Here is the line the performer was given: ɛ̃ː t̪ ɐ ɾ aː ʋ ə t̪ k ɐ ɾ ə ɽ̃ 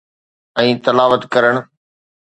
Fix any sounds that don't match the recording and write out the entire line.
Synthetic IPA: ɛ̃ː t̪ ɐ l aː ʋ ə t̪ k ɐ ɾ ə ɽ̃